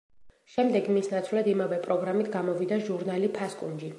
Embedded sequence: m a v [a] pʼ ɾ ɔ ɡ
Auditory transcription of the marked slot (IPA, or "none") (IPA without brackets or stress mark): ɛ